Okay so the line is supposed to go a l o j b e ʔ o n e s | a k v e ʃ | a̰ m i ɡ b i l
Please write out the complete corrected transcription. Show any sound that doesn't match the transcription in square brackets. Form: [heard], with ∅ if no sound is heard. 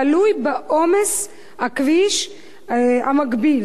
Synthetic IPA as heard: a l [u] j b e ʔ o [m] e s | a k v [i] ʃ | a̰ m [a] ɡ b i l

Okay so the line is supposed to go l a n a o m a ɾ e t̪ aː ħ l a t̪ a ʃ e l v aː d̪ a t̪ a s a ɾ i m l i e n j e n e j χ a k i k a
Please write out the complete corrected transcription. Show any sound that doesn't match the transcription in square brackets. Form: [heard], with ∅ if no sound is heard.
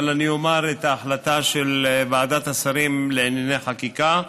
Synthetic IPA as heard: l a n [i] o m a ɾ e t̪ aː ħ l a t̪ a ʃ e l v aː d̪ a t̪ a s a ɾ i m l [e] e n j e n e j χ a k i k a

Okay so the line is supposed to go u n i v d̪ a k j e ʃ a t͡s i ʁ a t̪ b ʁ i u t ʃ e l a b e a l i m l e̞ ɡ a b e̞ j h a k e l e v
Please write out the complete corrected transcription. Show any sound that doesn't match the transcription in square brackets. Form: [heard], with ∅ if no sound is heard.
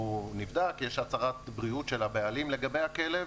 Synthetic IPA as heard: u n i v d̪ a k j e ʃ a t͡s [a] ʁ a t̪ b ʁ i u t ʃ e l a b e a l i m l e̞ ɡ a b e̞ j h a k e l e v

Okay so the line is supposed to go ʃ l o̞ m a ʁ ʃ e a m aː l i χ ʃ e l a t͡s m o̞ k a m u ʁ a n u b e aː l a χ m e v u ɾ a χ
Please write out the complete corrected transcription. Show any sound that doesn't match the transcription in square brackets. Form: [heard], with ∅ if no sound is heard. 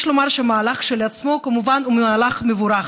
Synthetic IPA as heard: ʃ l o̞ m a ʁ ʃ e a m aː l [a] χ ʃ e l a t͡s m o̞ k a m u [v] a n u [m] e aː l a χ m e v u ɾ a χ

